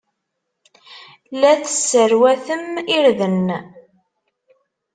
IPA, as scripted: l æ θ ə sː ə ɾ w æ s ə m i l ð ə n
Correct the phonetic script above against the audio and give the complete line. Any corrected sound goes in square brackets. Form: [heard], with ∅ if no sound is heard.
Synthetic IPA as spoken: l æ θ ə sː ə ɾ w æ [θ] ə m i [ɾ] ð ə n